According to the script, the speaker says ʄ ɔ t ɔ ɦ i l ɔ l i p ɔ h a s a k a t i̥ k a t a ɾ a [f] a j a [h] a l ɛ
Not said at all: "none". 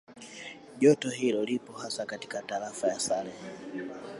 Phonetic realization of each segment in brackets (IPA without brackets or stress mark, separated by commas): f, s